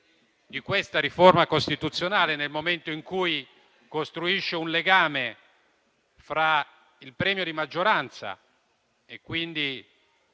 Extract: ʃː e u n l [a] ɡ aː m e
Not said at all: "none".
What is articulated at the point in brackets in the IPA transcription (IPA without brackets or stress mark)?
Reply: e